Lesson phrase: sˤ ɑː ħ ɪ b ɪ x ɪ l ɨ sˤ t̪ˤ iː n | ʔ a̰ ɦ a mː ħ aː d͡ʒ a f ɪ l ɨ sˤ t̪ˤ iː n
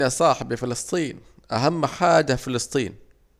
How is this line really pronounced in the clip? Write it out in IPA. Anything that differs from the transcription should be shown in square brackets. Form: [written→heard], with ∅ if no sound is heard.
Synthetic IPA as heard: sˤ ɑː ħ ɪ b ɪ [x→f] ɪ l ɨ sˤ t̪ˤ iː n | ʔ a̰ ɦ a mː ħ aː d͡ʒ a f ɪ l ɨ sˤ t̪ˤ iː n